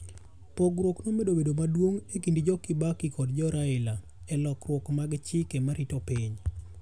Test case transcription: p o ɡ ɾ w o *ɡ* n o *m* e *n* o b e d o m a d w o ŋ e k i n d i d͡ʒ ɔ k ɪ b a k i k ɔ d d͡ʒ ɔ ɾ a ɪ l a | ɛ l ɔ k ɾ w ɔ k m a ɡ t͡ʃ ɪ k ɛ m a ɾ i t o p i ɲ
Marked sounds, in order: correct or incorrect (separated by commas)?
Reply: incorrect, correct, incorrect